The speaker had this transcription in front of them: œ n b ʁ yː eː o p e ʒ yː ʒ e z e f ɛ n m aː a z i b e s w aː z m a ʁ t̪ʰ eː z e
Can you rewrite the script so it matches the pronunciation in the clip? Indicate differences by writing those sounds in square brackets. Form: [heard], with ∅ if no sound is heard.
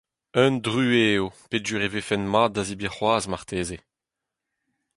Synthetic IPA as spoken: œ n [d] ʁ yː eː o p e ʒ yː [ʁ] e [v] e f ɛ n m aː a z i b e [χ] w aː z m a ʁ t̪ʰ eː z e